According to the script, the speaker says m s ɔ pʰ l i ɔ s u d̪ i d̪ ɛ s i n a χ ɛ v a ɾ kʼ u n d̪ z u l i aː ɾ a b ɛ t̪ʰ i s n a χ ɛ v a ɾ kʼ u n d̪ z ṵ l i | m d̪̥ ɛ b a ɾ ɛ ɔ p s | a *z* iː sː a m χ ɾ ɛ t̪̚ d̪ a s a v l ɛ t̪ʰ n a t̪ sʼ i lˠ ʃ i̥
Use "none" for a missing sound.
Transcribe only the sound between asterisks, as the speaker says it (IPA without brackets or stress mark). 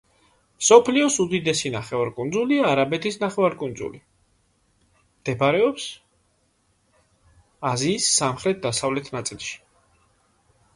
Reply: z